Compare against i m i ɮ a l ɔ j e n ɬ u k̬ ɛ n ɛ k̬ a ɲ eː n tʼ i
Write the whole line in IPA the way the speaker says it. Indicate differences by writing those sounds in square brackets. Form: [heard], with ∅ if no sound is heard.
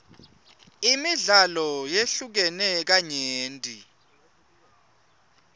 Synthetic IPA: i m i ɮ a l ɔ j e [∅] ɬ u k̬ ɛ n ɛ k̬ a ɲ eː n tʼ i